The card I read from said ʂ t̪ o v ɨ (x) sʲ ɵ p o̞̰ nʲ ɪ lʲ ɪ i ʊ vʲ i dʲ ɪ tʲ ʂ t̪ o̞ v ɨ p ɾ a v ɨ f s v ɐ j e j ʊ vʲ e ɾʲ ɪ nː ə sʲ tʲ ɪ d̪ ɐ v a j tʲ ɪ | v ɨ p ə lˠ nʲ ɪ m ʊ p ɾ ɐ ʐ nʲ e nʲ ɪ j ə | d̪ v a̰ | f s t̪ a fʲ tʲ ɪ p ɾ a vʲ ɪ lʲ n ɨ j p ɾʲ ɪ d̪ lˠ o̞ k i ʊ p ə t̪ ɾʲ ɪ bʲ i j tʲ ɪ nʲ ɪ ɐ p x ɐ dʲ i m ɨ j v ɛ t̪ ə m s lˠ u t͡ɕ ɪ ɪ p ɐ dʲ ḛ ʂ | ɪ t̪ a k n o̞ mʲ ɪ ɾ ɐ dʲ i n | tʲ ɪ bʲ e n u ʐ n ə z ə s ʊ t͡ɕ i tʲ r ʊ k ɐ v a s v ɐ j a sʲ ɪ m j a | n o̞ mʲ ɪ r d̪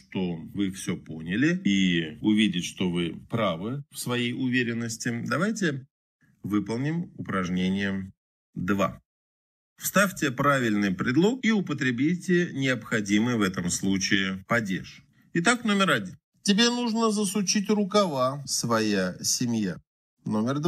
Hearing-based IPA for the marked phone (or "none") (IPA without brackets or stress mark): f